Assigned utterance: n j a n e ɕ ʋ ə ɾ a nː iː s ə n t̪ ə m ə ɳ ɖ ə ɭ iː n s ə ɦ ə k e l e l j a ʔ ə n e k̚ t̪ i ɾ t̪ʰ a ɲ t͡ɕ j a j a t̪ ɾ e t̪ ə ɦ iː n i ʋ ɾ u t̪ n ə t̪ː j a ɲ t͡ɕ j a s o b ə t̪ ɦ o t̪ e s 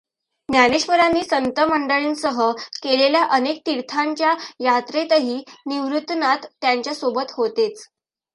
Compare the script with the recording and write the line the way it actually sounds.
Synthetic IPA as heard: n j a n e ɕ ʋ ə ɾ a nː iː s ə n t̪ ə m ə ɳ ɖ ə ɭ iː n s ə ɦ ə k e l e l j a ʔ ə n e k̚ t̪ i ɾ t̪ʰ a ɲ t͡ɕ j a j a t̪ ɾ e t̪ ə ɦ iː n i ʋ ɾ u t̪ n a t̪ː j a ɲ t͡ɕ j a s o b ə t̪ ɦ o t̪ e t͡s